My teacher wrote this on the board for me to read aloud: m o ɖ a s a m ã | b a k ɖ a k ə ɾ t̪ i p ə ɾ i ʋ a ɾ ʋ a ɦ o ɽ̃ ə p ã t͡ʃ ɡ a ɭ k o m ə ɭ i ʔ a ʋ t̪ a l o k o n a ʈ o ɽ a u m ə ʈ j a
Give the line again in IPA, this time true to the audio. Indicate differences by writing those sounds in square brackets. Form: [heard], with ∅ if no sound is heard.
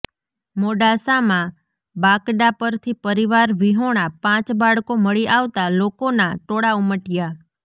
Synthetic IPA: m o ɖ a s a m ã | b a k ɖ a [p] ə ɾ [t̪ʰ] i p ə ɾ i ʋ a ɾ ʋ [i] ɦ o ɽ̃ [a] p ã t͡ʃ [b] a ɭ k o m ə ɭ i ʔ a ʋ t̪ a l o k o n a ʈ o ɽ a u m ə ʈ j a

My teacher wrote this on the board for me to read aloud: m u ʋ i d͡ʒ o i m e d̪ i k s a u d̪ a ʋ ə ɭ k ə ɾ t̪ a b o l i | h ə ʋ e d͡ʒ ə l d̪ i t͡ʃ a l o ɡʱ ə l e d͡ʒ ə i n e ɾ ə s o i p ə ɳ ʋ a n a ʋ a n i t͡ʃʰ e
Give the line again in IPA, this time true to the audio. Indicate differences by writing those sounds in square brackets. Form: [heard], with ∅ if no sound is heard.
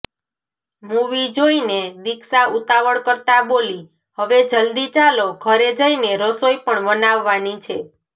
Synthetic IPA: m u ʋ i d͡ʒ o i [n] e d̪ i k s a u [t̪] a ʋ ə ɭ k ə ɾ t̪ a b o l i | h ə ʋ e d͡ʒ ə l d̪ i t͡ʃ a l o ɡʱ ə [ɾ] e d͡ʒ ə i n e ɾ ə s o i p ə ɳ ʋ [ə] n a [ʋː] a n i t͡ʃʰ e

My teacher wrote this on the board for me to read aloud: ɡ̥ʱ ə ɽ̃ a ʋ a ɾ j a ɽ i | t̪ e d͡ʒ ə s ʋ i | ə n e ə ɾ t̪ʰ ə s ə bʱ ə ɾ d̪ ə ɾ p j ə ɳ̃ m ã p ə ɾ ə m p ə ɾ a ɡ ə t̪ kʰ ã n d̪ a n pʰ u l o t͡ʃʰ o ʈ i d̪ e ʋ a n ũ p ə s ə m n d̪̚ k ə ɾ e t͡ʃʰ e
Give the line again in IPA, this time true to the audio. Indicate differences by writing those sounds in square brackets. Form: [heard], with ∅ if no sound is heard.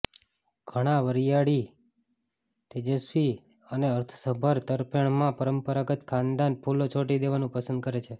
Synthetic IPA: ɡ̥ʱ ə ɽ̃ a ʋ [ə] ɾ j a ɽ i | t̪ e d͡ʒ ə s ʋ i | ə n e ə ɾ t̪ʰ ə s ə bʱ ə ɾ [t̪] ə ɾ p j ə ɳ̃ m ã p ə ɾ ə m p ə ɾ a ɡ ə t̪ kʰ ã n d̪ a n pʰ u l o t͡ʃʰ o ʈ i d̪ e ʋ a n ũ p ə s ə [∅] n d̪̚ k ə ɾ e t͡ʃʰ e

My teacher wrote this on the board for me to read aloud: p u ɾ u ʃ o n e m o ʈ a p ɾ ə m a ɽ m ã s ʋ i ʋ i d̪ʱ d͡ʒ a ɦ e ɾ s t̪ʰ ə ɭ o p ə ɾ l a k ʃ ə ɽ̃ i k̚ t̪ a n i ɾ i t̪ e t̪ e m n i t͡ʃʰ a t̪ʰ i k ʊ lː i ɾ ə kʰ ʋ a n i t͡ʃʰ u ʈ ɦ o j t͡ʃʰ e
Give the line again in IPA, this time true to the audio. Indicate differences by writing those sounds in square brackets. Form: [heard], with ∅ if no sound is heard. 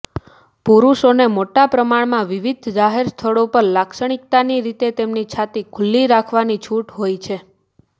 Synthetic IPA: p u ɾ u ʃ o n e m o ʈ a p ɾ ə m a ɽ m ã [∅] ʋ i ʋ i d̪ʱ d͡ʒ a ɦ e ɾ s t̪ʰ ə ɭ o p ə ɾ l a k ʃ ə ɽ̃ i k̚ t̪ a n i ɾ i t̪ e t̪ e m n i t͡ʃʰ a [t̪] i [kʰ] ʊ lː i ɾ [a] kʰ ʋ a n i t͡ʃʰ u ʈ ɦ o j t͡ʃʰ e

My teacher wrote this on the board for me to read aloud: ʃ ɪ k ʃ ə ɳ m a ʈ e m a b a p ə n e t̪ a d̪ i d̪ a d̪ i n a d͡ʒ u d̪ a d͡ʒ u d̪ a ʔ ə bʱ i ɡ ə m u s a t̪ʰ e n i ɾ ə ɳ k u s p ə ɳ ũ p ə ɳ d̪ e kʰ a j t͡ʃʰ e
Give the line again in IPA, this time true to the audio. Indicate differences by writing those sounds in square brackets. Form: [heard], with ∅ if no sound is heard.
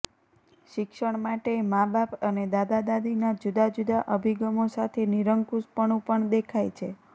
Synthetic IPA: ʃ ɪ k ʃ ə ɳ m a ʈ e m a b a p ə n e [d̪] a d̪ [a] d̪ a d̪ i n a d͡ʒ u d̪ a d͡ʒ u d̪ a ʔ ə bʱ i ɡ ə m [o] s a t̪ʰ e n i ɾ ə [ŋ] k u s p ə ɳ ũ p ə ɳ d̪ e kʰ a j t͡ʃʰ e

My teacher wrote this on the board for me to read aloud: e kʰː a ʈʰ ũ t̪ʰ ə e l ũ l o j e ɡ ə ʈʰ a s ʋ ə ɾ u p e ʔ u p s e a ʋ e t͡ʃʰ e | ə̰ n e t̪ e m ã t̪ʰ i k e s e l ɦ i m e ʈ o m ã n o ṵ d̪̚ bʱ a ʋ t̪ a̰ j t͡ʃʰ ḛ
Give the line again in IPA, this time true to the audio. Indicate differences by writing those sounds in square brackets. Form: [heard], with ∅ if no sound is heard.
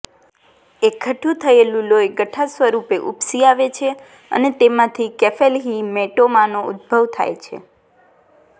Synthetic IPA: e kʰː [ə] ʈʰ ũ t̪ʰ ə e l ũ l o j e ɡ ə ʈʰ a s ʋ ə ɾ u p e ʔ u p s [i] a ʋ e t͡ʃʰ e | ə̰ n e t̪ e m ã t̪ʰ i k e [f] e l ɦ i m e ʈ o m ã n o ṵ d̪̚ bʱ [ə] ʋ [t̪ʰ] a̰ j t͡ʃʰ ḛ

